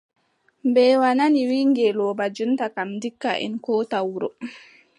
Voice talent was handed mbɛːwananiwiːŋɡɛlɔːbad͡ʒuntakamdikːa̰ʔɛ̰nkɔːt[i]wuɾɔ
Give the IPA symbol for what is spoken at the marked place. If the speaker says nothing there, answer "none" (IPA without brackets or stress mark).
a